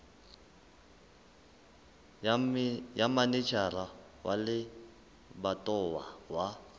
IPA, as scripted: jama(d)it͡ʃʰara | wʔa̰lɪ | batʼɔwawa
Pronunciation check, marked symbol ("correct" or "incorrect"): incorrect